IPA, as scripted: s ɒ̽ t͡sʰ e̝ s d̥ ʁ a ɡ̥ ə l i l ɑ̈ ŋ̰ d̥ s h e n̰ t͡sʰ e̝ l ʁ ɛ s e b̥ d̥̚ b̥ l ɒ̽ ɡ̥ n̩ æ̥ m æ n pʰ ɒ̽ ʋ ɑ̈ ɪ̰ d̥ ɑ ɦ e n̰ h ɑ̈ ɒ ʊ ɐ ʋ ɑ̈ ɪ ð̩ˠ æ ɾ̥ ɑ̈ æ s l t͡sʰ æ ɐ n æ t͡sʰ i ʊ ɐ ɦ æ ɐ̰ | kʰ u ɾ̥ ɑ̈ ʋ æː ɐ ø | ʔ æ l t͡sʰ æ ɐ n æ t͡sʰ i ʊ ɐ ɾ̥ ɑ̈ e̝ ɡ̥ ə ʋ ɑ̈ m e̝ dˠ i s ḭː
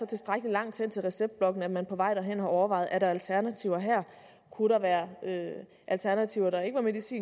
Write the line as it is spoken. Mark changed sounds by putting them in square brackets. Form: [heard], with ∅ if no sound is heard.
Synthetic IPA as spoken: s ɒ̽ t͡sʰ e̝ s d̥ ʁ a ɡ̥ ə l i l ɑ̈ ŋ̰ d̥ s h e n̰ t͡sʰ e̝ l ʁ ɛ s e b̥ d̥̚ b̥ l ɒ̽ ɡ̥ n̩ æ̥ m æ n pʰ ɒ̽ ʋ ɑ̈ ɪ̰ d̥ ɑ ɦ e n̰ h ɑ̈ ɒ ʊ ɐ ʋ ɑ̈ ɪ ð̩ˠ æ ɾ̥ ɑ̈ æ [∅] l t͡sʰ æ ɐ n æ t͡sʰ i ʊ ɐ ɦ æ ɐ̰ | kʰ u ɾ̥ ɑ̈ ʋ æː ɐ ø | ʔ æ l t͡sʰ æ ɐ n æ t͡sʰ i ʊ ɐ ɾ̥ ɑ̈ e̝ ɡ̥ ə ʋ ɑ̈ m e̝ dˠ i s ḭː